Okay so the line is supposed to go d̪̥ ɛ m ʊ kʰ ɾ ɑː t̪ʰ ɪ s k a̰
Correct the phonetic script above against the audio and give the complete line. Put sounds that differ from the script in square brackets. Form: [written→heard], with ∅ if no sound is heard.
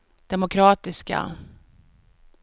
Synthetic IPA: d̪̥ ɛ m ʊ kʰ ɾ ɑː [t̪ʰ→t̪] ɪ s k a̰